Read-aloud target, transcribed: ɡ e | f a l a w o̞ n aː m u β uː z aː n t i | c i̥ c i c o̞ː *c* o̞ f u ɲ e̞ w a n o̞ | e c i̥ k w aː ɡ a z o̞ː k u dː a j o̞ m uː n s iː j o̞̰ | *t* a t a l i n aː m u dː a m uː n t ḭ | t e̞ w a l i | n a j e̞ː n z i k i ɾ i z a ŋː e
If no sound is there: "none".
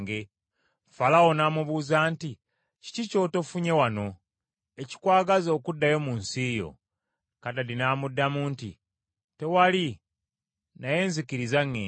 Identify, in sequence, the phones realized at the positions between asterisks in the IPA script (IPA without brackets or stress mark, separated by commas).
t, k